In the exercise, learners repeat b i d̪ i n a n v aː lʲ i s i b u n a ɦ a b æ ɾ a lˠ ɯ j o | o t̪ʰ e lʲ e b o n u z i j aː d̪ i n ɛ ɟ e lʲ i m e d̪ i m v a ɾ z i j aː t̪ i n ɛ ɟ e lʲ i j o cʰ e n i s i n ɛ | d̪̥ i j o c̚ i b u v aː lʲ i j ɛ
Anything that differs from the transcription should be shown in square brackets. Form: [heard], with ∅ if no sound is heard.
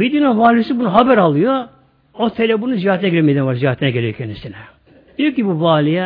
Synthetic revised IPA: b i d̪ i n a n v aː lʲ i s i b u n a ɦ a b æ ɾ a lˠ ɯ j o | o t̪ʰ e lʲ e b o n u z i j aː [t̪] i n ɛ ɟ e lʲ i m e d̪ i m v a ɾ z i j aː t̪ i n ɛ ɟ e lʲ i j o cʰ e n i s i n ɛ | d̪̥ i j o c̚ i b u v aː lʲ i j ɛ